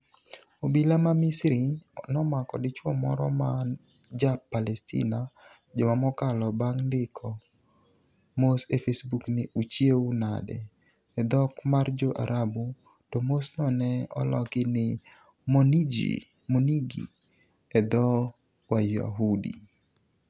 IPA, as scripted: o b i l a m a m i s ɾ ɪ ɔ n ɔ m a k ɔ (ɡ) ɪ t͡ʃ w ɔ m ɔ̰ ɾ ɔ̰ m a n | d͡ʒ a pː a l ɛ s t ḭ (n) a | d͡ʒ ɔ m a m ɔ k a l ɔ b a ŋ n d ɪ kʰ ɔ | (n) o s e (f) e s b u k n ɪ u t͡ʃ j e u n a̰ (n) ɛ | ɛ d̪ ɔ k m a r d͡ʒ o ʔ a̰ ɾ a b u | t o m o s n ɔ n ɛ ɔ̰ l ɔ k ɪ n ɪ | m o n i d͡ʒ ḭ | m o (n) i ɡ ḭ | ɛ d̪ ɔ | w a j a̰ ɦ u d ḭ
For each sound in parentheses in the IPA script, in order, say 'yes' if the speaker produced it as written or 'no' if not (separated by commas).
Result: no, yes, no, yes, no, yes